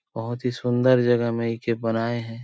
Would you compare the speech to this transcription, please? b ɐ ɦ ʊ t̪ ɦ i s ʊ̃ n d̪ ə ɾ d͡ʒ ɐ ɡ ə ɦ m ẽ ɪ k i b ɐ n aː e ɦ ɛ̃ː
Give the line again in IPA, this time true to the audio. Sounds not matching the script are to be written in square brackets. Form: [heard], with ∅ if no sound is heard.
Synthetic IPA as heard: b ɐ ɦ ʊ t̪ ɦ i s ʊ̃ n d̪ ə ɾ d͡ʒ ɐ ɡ ə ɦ m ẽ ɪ k [e] b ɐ n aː e ɦ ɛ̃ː